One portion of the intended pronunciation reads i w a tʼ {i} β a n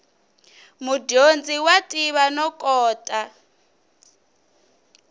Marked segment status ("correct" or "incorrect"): correct